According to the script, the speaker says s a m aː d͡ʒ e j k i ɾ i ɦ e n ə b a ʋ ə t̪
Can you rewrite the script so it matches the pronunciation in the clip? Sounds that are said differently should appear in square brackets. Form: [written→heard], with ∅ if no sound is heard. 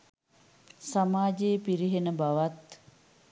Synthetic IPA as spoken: s a m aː d͡ʒ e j [k→p] i ɾ i ɦ e n ə b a ʋ [ə→a] t̪